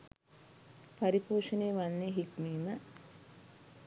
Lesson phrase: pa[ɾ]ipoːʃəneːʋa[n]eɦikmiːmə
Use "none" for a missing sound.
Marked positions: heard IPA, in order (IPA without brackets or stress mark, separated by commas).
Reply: ɾ, nː